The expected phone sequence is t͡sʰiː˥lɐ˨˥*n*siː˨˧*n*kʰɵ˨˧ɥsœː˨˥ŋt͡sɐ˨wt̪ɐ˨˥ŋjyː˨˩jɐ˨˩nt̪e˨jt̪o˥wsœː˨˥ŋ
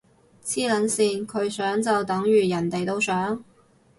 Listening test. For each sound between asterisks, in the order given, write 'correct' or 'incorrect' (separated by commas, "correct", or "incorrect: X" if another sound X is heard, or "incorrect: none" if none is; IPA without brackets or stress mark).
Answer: correct, correct